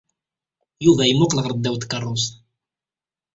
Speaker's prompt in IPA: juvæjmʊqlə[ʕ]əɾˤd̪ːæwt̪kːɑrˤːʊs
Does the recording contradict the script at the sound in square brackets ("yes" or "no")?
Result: yes